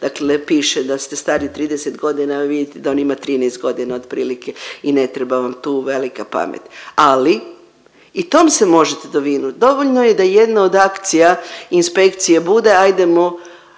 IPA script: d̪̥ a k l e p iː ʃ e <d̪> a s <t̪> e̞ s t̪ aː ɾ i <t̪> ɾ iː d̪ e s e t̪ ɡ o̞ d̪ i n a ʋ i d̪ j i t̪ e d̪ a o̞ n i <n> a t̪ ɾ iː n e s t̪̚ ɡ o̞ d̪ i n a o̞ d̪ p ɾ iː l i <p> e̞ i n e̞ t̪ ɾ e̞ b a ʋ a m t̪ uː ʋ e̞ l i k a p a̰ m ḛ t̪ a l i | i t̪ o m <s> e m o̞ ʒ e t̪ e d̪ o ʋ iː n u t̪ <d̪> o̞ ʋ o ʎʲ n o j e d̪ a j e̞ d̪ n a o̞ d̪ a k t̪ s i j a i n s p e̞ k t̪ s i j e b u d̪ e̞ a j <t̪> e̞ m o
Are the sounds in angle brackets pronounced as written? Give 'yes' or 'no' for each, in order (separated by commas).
yes, yes, yes, no, no, yes, yes, no